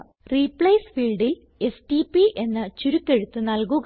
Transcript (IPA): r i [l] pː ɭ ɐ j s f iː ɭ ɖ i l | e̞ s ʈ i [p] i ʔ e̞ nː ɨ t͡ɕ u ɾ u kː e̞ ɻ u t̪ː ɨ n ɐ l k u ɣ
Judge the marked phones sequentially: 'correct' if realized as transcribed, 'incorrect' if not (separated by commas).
incorrect, correct